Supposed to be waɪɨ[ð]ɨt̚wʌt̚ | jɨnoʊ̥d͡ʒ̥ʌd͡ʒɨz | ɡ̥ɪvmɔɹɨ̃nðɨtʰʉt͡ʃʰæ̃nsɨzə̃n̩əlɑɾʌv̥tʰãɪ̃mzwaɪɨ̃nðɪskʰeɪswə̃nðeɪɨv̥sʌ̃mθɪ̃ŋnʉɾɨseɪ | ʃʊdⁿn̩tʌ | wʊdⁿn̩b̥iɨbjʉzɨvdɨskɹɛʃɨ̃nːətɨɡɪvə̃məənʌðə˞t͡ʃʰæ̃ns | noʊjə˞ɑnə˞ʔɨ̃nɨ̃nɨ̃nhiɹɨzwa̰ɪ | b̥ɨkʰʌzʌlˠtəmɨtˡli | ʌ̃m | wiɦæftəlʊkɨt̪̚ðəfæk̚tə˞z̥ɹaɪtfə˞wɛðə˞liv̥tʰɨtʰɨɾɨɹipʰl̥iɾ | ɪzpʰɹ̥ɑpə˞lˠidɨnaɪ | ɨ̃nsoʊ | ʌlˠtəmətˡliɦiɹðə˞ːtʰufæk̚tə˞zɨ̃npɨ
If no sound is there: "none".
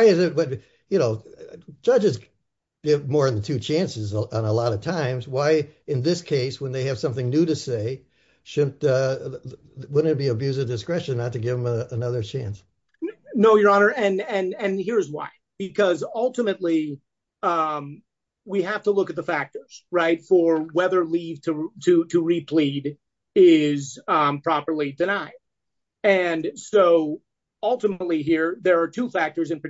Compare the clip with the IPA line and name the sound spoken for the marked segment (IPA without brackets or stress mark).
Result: z